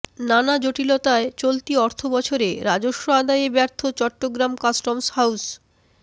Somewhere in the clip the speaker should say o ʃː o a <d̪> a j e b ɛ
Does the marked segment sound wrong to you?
no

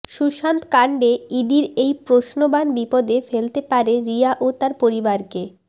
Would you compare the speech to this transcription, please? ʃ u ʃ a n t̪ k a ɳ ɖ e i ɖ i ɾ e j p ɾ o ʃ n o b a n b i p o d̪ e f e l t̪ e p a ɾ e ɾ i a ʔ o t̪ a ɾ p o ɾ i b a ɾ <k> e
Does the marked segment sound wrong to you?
no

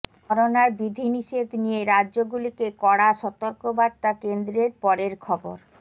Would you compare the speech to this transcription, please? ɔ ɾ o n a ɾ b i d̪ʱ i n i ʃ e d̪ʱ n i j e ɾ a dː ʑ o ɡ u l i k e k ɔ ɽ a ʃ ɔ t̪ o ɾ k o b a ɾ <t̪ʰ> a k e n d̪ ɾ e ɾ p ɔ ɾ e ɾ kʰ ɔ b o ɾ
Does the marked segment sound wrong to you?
yes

